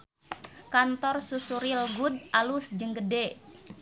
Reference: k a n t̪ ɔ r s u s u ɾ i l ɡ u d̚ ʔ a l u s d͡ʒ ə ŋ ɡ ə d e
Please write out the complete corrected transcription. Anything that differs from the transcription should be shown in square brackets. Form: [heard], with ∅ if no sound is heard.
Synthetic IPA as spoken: k a n t̪ ɔ r s u s u ɾ i l ɡ u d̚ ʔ a l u s d͡ʒ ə ŋ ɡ ə d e